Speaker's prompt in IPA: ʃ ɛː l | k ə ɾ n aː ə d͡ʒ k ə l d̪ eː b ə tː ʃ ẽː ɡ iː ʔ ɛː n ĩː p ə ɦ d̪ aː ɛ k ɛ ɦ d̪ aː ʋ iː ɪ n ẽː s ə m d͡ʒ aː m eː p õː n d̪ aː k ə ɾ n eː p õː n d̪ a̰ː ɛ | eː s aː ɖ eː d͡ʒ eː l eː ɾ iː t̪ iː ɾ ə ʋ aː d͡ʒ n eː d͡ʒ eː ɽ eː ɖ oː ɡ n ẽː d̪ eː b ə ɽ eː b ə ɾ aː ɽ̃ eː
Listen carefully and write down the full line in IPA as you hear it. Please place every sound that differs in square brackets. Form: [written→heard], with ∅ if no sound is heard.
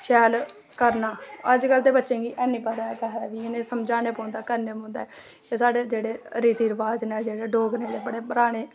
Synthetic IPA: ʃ ɛː l | k ə ɾ n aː ə d͡ʒ k ə l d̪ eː b ə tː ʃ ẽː ɡ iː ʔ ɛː n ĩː p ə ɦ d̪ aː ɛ k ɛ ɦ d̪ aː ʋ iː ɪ n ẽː s ə m d͡ʒ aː [m→n] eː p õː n d̪ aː k ə ɾ n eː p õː n d̪ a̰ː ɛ | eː s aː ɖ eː d͡ʒ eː [l→ɽ] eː ɾ iː t̪ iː ɾ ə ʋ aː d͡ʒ n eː d͡ʒ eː ɽ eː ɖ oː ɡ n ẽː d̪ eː b ə ɽ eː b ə ɾ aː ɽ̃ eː

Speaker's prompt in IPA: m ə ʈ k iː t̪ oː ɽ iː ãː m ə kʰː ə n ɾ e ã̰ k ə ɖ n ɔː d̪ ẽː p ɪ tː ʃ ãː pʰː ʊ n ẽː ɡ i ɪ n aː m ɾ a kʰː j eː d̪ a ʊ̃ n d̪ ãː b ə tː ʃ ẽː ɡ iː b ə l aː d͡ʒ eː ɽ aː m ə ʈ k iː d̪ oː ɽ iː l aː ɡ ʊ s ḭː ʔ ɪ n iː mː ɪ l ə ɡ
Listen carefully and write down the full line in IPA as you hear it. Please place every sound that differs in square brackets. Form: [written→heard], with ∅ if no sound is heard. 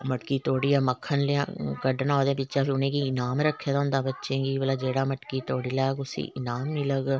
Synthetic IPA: m ə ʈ k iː t̪ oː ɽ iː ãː m ə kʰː ə n [ɾ→l] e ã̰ k ə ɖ n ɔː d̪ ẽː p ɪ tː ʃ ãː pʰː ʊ n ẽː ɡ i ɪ n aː m ɾ [a→ə] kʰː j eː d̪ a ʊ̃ n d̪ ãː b ə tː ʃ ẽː ɡ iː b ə l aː d͡ʒ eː ɽ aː m ə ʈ k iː [d̪→t̪] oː ɽ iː l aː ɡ ʊ s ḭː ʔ ɪ n [iː→aː] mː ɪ l ə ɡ

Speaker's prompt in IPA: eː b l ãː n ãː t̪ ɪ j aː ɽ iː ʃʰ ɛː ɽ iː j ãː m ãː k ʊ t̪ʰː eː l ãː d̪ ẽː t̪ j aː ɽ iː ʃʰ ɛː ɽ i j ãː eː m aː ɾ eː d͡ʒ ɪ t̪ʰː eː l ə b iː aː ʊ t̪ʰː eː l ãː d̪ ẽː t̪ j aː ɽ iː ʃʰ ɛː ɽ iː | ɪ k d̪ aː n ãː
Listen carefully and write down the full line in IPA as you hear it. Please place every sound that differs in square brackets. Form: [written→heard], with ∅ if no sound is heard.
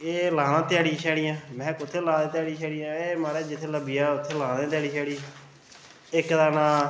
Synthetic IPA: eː [b→∅] l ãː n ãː t̪ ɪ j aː ɽ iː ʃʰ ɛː ɽ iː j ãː m [ãː→ɛ̃ː] k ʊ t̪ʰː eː l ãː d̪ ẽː t̪ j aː ɽ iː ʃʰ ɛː ɽ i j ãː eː m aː ɾ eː d͡ʒ ɪ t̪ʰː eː l ə b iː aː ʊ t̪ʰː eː l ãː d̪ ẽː t̪ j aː ɽ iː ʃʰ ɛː ɽ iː | ɪ k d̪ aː n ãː

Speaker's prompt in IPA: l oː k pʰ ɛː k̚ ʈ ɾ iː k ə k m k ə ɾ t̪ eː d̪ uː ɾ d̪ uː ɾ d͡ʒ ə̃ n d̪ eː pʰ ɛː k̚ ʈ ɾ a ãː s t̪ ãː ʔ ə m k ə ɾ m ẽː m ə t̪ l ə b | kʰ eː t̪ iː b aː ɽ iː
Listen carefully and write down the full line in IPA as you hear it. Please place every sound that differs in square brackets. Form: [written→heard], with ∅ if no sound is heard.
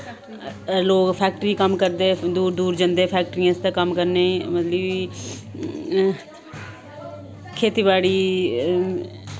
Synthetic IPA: l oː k pʰ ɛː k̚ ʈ ɾ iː k ə [k→∅] m k ə ɾ [t̪→d̪] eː d̪ uː ɾ d̪ uː ɾ d͡ʒ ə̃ n d̪ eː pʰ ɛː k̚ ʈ ɾ [a→i] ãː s t̪ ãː [ʔ→k] ə m k ə ɾ [m→n] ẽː m ə t̪ l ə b | kʰ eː t̪ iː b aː ɽ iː

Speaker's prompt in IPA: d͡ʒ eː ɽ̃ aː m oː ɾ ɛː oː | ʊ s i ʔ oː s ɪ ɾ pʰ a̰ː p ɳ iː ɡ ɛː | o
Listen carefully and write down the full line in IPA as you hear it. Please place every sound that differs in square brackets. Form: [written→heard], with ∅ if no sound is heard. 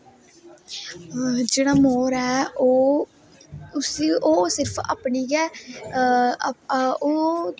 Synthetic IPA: d͡ʒ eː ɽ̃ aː m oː ɾ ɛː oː | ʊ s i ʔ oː s ɪ ɾ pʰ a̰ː p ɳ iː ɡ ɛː | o

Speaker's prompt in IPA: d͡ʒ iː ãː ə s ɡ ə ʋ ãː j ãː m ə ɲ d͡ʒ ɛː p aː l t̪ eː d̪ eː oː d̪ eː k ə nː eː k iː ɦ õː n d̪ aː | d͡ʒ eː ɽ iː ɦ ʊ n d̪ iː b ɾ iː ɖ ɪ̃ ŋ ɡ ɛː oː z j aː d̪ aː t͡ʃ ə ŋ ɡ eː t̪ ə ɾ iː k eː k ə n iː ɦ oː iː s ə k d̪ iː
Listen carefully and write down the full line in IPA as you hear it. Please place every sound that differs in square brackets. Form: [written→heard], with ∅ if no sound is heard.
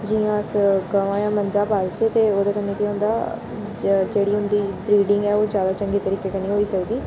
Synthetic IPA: d͡ʒ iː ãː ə s ɡ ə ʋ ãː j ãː m ə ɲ d͡ʒ [ɛː→aː] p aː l t̪ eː [d̪→t̪] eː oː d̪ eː k ə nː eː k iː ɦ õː n d̪ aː | d͡ʒ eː ɽ iː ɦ ʊ n d̪ iː b ɾ iː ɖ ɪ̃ ŋ ɡ ɛː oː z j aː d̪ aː t͡ʃ ə ŋ ɡ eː t̪ ə ɾ iː k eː k ə n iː ɦ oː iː s ə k d̪ iː

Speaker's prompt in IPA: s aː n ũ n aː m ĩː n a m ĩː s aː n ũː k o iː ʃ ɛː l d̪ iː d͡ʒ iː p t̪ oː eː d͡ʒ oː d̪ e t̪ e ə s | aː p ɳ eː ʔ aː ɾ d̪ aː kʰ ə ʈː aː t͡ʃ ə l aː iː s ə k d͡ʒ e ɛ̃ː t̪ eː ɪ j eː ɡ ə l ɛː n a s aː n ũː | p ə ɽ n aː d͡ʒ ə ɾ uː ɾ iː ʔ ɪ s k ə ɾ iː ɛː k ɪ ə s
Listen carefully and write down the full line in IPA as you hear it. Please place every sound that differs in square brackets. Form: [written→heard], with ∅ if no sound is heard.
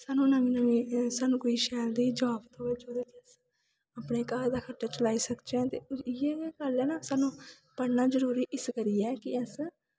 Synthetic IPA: s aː n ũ n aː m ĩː n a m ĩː s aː n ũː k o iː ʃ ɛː l d̪ iː d͡ʒ [iː→aː] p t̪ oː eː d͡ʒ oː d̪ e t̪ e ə s | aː p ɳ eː [ʔ→k] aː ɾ d̪ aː kʰ ə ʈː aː t͡ʃ ə l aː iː s ə k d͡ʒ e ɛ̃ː t̪ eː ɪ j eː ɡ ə l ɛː n a s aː n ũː | p ə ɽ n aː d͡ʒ ə ɾ uː ɾ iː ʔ ɪ s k ə ɾ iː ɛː k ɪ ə s

